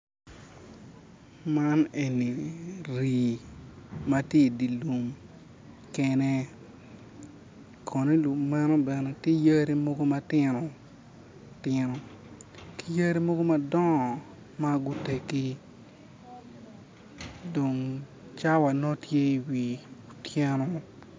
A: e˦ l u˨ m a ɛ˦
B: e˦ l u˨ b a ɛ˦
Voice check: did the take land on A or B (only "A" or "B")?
A